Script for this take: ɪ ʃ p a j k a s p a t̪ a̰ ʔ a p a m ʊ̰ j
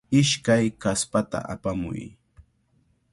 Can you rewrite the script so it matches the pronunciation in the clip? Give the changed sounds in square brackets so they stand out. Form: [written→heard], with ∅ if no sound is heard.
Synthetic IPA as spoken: ɪ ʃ [p→k] a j k a s p a t̪ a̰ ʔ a p a m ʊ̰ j